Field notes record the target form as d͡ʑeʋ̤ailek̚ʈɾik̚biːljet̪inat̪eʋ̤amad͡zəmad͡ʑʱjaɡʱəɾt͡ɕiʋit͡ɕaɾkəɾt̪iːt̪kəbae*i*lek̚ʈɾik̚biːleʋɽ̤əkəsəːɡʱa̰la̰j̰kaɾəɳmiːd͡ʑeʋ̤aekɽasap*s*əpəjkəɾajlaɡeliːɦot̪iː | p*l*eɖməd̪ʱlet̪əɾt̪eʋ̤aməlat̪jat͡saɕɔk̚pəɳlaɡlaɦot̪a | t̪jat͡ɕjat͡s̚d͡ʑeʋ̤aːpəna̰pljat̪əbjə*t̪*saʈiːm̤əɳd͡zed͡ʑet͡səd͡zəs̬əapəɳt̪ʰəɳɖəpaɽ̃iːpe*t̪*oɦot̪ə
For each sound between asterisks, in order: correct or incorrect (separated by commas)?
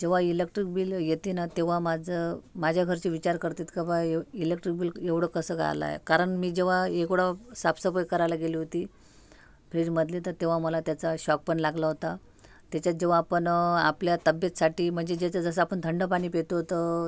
correct, correct, incorrect, correct, correct